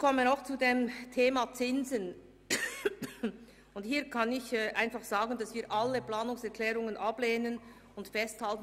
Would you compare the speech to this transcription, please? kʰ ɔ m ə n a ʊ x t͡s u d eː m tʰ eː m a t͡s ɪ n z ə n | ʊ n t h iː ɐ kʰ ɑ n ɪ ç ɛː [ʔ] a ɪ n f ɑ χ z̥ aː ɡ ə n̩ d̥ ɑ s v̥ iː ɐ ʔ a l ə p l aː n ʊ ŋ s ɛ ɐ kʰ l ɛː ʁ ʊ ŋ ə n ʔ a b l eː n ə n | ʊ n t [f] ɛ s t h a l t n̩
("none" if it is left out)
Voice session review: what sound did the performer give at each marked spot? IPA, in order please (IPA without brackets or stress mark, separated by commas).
ʔ, f